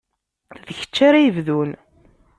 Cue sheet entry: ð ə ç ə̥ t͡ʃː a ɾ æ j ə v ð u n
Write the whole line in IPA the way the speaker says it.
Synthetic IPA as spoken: ð ə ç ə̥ t͡ʃː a ɾ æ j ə v ð u n